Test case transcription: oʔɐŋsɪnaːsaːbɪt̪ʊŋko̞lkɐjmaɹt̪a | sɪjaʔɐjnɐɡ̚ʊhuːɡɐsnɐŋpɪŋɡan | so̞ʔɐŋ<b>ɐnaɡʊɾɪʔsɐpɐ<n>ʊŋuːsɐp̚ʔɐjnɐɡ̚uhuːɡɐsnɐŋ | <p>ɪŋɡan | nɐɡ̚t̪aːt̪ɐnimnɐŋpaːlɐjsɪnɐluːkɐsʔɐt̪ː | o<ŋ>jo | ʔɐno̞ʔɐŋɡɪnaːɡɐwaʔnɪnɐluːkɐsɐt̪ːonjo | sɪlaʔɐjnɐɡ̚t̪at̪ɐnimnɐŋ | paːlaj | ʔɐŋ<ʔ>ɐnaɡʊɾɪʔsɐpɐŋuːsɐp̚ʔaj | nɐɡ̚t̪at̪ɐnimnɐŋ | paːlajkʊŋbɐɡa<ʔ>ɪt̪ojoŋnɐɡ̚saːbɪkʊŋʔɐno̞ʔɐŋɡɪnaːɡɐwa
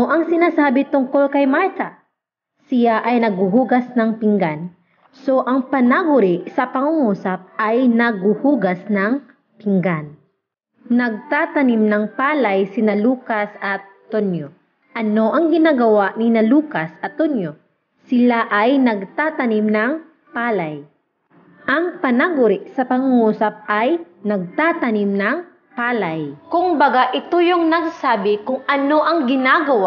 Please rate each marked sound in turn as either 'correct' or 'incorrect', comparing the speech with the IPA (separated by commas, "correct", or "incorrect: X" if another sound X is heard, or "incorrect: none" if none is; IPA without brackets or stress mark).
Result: incorrect: p, incorrect: ŋ, correct, incorrect: n, incorrect: p, correct